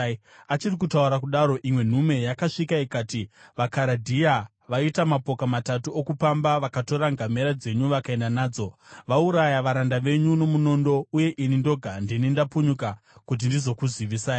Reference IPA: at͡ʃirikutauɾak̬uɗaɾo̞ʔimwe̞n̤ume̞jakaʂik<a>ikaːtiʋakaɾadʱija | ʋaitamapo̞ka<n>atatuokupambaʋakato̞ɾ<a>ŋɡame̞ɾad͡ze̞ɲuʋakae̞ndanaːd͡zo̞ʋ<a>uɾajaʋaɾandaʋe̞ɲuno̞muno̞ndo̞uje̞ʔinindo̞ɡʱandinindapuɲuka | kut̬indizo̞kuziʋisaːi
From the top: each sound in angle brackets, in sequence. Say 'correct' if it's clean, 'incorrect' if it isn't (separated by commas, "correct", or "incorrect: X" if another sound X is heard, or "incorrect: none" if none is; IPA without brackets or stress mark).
correct, incorrect: m, correct, correct